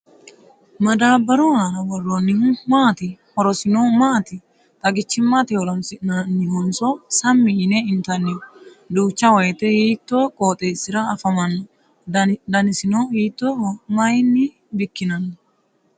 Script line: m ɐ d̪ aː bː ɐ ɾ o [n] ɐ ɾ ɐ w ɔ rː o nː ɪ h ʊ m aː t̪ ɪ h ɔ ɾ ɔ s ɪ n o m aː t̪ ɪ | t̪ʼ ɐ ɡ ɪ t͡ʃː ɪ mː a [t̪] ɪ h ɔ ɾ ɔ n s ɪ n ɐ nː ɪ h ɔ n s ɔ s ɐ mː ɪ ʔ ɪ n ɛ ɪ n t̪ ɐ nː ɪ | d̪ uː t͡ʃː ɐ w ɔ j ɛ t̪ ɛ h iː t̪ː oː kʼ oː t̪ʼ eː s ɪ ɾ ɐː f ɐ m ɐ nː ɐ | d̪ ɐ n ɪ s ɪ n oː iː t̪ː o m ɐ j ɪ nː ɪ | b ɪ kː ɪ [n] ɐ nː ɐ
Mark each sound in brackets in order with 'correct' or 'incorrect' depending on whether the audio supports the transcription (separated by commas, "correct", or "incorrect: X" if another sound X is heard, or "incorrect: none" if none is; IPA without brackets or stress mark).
correct, correct, correct